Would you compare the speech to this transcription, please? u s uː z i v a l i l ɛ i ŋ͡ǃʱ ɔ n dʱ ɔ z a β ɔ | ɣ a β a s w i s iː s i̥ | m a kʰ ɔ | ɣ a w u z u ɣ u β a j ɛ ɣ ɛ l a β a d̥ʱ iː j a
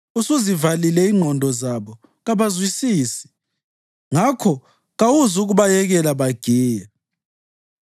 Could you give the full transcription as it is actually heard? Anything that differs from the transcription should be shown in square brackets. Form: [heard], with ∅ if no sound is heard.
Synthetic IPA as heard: u s [u] z i v a l i l ɛ i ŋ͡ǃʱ ɔ n dʱ ɔ z a β ɔ | ɣ a β a [z] w i s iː s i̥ | [ŋ] a kʰ ɔ | ɣ a w u z u ɣ u β a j ɛ ɣ ɛ l a β a [ɡ̥ʱ] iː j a